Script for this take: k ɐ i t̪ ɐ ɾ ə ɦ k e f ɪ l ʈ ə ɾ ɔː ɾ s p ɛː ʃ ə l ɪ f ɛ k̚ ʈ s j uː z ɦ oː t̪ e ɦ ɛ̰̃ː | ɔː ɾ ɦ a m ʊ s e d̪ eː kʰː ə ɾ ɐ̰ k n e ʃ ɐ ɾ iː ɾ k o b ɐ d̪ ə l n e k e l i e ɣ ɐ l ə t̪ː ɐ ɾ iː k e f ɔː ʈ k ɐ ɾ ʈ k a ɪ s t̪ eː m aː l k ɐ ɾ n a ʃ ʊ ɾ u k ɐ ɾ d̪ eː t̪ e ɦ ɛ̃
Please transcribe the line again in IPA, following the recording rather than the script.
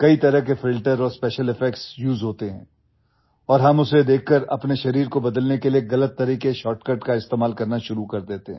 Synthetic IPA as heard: k ɐ i t̪ ɐ ɾ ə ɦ k e f ɪ l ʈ ə ɾ ɔː ɾ s p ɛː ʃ ə l ɪ f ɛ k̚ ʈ s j uː z ɦ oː t̪ e ɦ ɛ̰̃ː | ɔː ɾ ɦ ɐ m ʊ s e d̪ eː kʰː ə ɾ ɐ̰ p n e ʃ ɐ ɾ iː ɾ k o b ɐ d̪ ə l n e k e l i e ɣ ɐ l ə t̪ː ɐ ɾ iː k e ʃ ɔː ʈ k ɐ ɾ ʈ k a ɪ s t̪ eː m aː l k ɐ ɾ n a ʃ ʊ ɾ u k ɐ ɾ d̪ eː t̪ e ɦ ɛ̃